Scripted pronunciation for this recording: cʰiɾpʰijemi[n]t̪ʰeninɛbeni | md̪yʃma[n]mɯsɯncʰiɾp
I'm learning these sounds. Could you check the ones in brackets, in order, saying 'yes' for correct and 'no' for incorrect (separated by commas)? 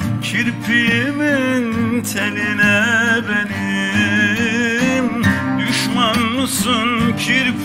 yes, yes